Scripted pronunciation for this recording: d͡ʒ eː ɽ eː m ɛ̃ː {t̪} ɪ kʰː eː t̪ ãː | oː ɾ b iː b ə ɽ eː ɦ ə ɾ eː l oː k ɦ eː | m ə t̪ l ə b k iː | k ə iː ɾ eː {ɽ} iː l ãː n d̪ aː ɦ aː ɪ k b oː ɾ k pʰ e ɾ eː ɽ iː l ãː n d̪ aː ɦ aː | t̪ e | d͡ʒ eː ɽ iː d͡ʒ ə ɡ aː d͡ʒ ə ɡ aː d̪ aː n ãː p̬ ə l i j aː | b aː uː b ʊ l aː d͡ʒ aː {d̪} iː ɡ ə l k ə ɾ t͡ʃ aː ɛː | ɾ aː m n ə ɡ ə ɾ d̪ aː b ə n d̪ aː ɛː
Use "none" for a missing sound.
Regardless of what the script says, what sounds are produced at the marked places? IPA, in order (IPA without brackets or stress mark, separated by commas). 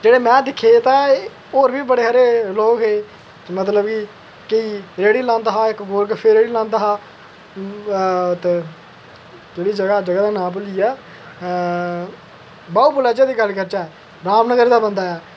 d̪, ɽ, d̪